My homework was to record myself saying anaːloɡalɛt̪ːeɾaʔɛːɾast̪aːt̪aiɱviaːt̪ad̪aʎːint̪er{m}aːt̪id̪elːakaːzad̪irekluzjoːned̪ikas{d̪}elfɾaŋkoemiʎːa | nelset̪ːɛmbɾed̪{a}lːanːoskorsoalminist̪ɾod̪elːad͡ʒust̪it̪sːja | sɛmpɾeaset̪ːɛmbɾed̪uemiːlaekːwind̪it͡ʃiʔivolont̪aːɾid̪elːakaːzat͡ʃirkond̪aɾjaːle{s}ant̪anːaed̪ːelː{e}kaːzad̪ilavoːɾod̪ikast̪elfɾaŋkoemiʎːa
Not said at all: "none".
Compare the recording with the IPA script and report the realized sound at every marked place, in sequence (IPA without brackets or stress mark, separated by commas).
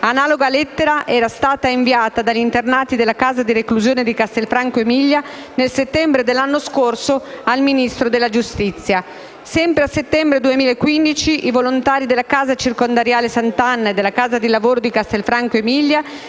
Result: n, t̪, e, s, a